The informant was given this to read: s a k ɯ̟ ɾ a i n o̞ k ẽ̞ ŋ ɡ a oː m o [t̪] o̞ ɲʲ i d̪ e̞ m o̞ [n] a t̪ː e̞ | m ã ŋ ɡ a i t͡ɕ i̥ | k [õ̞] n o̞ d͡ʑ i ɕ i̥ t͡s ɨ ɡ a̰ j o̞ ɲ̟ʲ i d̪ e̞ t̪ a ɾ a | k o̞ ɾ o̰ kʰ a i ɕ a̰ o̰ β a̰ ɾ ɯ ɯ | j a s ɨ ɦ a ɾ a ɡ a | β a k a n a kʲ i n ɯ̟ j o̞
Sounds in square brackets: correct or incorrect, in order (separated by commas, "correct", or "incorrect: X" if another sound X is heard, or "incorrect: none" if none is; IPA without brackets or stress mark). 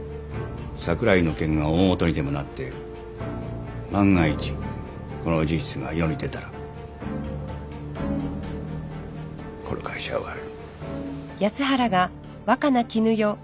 correct, correct, incorrect: o̞